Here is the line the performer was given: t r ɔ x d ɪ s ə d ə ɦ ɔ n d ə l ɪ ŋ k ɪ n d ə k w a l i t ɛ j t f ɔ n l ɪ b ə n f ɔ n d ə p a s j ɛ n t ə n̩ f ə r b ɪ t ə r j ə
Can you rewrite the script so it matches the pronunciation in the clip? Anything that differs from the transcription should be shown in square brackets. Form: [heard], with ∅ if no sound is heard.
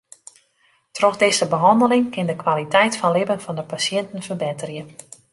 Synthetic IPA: t r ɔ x d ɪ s ə [b] ə ɦ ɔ n d ə l ɪ ŋ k ɪ n d ə k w a l i t ɛ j t f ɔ n l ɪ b ə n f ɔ n d ə p a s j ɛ n t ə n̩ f ə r b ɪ t ə r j ə